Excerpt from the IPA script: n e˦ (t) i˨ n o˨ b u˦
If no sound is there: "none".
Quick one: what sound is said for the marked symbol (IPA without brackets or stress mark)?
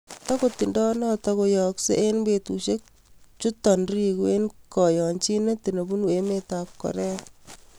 t